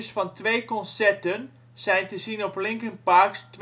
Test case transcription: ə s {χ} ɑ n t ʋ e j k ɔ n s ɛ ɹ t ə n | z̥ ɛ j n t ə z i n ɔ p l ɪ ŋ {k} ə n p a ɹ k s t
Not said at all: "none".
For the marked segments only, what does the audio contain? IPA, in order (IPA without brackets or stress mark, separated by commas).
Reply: f, k